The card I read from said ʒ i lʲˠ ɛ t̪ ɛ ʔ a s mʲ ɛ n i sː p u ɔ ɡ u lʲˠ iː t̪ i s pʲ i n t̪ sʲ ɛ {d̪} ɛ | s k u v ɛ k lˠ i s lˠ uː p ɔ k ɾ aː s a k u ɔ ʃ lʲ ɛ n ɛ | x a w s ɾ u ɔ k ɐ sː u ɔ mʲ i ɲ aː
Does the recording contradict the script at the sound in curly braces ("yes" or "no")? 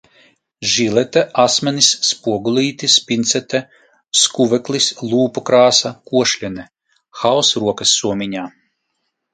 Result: yes